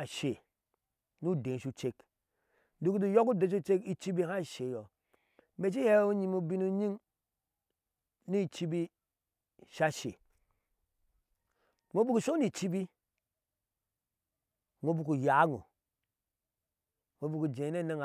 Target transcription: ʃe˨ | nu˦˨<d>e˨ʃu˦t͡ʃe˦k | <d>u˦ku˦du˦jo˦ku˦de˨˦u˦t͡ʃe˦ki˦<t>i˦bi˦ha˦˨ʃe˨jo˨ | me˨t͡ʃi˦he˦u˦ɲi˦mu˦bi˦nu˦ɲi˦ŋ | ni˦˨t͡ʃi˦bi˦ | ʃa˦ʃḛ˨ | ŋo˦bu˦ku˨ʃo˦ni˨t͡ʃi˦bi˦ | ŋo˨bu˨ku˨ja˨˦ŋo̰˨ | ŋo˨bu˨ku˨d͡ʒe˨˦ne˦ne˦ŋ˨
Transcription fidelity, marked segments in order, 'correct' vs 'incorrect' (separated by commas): correct, correct, incorrect